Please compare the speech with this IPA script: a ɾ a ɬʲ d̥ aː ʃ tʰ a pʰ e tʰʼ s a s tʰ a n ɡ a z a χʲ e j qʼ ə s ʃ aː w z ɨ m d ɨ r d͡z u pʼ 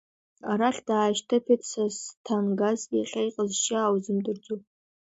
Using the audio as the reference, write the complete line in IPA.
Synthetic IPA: a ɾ a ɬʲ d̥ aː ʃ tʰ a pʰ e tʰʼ s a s tʰ a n ɡ a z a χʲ a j qʼ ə z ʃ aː w z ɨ m d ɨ r d͡z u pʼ

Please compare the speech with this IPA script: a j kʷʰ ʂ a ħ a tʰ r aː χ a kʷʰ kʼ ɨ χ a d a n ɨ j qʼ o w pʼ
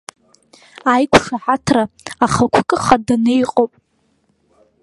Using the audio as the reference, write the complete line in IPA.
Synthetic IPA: a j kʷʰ ʂ a ħ a tʰ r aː χ a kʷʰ kʼ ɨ χ a d a n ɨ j qʼ o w pʼ

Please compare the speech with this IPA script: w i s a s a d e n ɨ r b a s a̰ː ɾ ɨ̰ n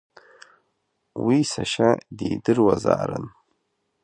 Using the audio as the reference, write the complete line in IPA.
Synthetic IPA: w i s a ʃ a d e d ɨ r w a z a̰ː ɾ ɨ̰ n

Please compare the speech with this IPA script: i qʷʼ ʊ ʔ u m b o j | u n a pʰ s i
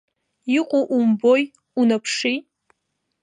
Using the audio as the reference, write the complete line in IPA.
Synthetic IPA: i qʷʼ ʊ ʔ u m b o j | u n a pʰ ʂ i

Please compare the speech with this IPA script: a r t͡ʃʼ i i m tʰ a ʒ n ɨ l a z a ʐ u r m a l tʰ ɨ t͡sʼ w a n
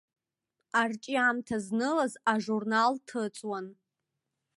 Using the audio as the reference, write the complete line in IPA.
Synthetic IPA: a r t͡ʃʼ i a m tʰ a z n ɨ l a z a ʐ u r n a l tʰ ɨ t͡sʼ w a n

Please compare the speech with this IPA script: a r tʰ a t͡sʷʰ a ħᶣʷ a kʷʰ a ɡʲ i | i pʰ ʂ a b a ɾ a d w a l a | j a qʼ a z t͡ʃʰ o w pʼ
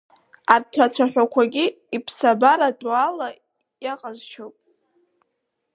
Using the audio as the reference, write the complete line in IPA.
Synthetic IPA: a r tʰ a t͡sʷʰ a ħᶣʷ a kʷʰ a ɡʲ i | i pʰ s a b a ɾ a d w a l a | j a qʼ a z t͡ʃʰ o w pʼ

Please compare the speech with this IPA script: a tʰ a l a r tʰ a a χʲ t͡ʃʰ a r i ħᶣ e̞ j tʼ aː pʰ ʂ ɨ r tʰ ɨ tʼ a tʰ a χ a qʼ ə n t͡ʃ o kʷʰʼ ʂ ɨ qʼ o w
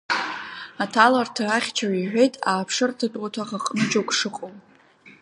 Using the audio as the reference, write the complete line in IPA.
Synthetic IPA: a tʰ a l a r tʰ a a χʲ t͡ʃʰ a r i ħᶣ e̞ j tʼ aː pʰ ʂ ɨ r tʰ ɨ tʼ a tʰ a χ a qʼ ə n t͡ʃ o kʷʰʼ ʂ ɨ qʼ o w

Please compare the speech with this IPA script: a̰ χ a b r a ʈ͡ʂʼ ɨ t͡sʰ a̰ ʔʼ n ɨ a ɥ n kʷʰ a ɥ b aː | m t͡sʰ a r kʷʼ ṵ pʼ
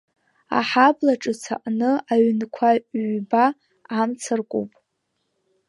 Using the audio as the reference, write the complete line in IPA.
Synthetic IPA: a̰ ħ a b l a ʈ͡ʂʼ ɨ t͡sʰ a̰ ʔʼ n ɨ a ɥ n kʷʰ a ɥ b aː | m t͡sʰ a r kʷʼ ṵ pʼ

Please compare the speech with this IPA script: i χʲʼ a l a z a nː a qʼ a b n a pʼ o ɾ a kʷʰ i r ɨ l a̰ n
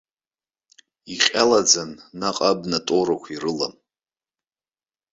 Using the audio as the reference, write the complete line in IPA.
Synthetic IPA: i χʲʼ a l a d͡z a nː a qʼ a b n a tʼ o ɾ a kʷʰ i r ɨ l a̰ m

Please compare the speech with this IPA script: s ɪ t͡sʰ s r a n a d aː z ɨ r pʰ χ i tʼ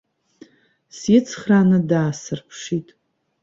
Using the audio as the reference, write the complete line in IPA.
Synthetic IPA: s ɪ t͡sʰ χ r a n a d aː s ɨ r pʰ ʂ i tʼ

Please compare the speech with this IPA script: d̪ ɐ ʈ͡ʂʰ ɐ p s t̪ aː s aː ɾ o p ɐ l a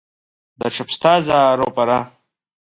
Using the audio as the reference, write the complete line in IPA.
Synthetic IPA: d̪ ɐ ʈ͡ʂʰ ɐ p s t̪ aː z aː ɾ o p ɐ ɾ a

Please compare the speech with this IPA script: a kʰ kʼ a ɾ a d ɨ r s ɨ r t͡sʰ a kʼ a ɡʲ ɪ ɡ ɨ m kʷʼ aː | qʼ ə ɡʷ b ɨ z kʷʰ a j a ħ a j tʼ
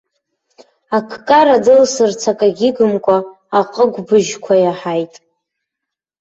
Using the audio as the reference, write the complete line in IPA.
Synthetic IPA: a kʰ kʼ a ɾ a d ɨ l s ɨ r t͡sʰ a kʼ a ɡʲ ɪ ɡ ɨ m kʷʼ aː | qʼ ə ɡʷ b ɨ ʒ kʷʰ a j a ħ a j tʼ

